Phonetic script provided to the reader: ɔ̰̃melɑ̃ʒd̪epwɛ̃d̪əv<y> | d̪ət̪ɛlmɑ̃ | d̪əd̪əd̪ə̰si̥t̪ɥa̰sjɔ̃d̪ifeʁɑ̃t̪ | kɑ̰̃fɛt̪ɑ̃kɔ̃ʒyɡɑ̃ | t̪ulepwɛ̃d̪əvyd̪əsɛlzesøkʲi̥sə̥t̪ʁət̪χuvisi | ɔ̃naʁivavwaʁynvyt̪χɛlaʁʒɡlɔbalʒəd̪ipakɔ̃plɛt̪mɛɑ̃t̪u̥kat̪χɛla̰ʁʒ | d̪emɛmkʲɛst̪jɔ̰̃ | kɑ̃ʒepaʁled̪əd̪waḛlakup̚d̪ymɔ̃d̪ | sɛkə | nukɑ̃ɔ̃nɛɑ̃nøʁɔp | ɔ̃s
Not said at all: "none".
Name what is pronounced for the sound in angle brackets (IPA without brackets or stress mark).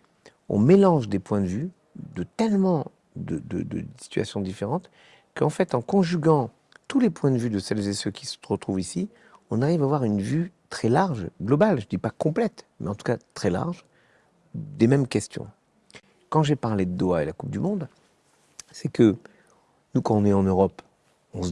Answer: y